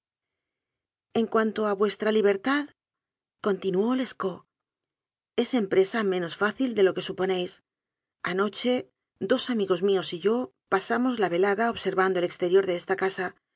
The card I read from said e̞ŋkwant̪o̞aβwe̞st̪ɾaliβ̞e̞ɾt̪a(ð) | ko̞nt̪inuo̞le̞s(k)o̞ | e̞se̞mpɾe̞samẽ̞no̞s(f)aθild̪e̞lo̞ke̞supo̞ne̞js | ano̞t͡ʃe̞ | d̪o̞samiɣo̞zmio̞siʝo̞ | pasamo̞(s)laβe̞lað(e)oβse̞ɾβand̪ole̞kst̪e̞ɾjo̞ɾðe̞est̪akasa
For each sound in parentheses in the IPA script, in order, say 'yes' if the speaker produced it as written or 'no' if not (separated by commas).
yes, yes, yes, no, no